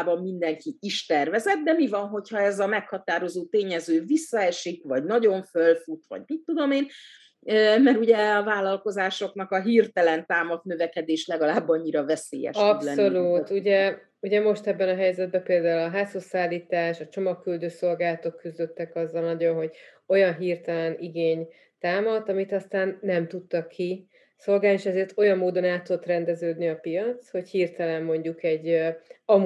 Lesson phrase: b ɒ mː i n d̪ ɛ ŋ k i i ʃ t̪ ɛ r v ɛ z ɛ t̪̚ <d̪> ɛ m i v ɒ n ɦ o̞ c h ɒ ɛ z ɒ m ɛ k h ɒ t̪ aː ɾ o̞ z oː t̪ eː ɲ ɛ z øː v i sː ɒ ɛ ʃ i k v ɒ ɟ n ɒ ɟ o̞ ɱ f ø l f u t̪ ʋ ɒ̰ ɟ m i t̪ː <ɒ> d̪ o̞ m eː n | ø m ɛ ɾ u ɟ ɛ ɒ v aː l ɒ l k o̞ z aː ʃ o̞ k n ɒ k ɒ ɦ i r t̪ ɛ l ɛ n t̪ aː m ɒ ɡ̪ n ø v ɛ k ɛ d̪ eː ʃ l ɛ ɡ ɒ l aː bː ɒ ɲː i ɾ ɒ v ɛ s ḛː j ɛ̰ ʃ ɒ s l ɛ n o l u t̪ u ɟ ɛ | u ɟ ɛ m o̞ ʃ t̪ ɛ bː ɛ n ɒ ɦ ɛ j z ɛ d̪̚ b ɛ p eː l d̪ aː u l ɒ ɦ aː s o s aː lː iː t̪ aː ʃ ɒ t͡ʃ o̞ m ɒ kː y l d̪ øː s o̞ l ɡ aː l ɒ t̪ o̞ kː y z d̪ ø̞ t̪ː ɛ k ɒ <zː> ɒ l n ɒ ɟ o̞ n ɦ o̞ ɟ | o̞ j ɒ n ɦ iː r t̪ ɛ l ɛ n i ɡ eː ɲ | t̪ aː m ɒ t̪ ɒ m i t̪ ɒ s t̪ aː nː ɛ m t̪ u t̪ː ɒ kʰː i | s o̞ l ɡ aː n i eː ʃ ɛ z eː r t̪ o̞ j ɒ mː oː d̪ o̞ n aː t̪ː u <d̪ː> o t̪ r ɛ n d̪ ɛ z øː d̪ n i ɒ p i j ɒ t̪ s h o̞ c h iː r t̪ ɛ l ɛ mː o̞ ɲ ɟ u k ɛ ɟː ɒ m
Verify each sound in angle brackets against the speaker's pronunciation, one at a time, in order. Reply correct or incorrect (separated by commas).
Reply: correct, incorrect, correct, incorrect